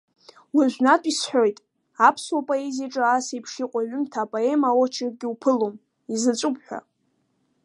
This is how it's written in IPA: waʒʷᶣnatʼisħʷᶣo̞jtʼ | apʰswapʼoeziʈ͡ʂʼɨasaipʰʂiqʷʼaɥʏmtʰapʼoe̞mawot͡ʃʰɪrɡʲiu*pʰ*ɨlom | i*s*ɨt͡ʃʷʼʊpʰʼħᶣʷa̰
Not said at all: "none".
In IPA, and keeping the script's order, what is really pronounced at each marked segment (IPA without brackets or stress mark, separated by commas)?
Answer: pʰ, z